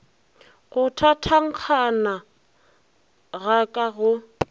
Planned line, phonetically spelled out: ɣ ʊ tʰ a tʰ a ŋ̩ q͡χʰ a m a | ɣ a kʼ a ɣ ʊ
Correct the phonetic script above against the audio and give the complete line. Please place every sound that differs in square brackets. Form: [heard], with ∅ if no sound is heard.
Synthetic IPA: ɣ ʊ tʰ a tʰ a ŋ̩ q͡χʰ a [n] a | ɣ a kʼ a ɣ ʊ